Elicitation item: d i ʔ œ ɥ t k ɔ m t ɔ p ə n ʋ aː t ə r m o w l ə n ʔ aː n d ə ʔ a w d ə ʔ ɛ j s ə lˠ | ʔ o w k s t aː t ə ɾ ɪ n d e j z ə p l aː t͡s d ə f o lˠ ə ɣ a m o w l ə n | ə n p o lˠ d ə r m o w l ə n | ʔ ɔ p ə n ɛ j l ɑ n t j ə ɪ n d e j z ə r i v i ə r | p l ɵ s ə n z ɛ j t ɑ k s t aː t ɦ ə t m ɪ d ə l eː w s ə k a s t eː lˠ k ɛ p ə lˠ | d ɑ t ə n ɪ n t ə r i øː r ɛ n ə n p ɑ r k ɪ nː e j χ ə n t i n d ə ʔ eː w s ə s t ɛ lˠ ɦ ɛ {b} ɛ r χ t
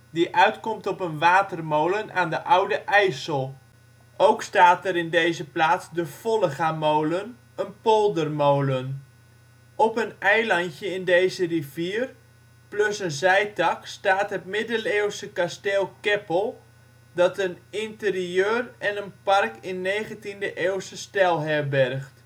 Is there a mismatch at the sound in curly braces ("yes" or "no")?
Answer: no